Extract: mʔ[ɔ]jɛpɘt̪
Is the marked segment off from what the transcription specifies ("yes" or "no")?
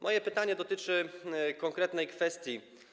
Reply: no